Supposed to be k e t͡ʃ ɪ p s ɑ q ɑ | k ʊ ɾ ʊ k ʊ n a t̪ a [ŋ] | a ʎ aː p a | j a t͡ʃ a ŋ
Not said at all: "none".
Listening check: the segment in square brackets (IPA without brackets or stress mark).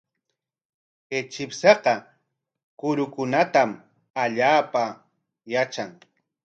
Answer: m